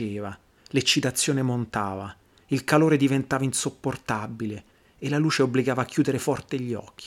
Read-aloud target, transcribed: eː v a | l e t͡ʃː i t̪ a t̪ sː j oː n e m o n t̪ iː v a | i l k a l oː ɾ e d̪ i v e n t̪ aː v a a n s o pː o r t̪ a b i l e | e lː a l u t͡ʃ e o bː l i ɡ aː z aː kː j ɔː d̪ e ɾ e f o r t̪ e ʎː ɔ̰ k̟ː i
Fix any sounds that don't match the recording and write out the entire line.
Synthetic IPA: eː v a | l e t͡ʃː i t̪ a t̪ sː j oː n e m o n t̪ aː v a | i l k a l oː ɾ e d̪ i v e n t̪ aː v a i n s o pː o r t̪ a b i l e | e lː a l uː t͡ʃ e o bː l i ɡ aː v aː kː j uː d̪ e ɾ e f ɔ r t̪ e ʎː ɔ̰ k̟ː i